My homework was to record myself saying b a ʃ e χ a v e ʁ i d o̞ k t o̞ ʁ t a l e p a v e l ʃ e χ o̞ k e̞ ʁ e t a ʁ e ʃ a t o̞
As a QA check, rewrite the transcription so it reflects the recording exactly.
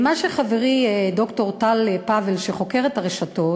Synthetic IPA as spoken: m a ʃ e χ a v e ʁ i d o̞ k t o̞ ʁ t a l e p a v e l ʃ e χ o̞ k e̞ ʁ e t a ʁ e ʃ a t o̞